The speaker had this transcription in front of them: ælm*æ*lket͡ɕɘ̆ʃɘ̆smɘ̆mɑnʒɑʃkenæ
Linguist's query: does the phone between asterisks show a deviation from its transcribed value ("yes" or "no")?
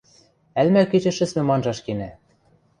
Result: no